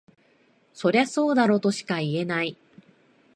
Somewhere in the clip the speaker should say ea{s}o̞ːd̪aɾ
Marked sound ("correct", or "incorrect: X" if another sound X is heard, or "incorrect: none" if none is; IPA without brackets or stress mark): correct